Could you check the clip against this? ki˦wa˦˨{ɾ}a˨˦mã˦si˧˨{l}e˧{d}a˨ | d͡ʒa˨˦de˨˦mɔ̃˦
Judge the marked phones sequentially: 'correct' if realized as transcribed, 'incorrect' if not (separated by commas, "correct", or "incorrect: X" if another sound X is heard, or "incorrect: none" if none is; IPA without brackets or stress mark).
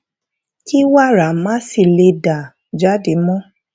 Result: correct, correct, correct